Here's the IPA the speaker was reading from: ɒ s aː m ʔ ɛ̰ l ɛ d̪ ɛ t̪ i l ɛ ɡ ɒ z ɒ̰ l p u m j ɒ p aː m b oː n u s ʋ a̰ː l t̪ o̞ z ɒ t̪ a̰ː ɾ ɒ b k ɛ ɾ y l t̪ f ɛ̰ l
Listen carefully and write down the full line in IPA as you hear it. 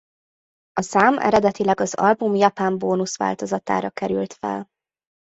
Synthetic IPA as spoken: ɒ s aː m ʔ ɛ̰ ɾ ɛ d̪ ɛ t̪ i l ɛ ɡ ɒ z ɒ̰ l b u m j ɒ p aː m b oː n u s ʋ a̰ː l t̪ o̞ z ɒ t̪ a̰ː ɾ ɒ k ɛ ɾ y l t̪ f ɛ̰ l